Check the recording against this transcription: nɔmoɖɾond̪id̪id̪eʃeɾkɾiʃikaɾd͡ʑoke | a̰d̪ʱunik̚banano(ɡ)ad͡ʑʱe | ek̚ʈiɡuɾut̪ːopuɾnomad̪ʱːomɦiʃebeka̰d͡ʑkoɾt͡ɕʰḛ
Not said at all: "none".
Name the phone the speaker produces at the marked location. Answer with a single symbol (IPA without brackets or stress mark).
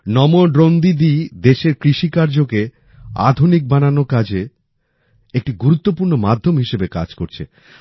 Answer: k